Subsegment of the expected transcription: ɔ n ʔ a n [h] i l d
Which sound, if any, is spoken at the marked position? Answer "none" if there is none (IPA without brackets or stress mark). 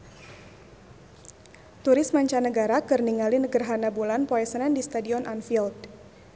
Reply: f